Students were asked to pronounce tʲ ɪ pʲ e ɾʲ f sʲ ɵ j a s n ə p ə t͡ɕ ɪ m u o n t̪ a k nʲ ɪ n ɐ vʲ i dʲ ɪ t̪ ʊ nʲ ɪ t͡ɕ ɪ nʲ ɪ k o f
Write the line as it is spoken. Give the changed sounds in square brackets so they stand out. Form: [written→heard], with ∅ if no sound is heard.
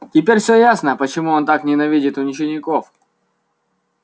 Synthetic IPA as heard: tʲ ɪ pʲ e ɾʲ f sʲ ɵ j a s n ə p ə t͡ɕ ɪ m u o n t̪ a k nʲ ɪ n ɐ vʲ i dʲ ɪ t̪ ʊ nʲ ɪ t͡ɕ ɪ nʲ ɪ k o f